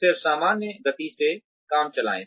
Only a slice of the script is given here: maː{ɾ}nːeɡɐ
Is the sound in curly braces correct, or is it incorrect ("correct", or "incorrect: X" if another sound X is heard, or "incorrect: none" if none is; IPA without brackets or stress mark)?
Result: incorrect: none